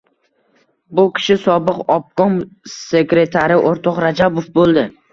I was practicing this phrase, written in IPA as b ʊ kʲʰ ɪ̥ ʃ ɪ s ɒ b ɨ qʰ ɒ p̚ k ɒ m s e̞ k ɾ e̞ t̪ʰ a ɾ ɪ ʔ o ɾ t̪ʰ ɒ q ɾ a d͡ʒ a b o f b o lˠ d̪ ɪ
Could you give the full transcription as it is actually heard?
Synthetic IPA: b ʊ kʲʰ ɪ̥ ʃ ɪ s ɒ b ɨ q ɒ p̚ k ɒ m s e̞ k ɾ e̞ t̪ʰ a ɾ ɪ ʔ o ɾ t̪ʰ ɒ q ɾ a d͡ʒ a b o f b o lˠ d̪ ɪ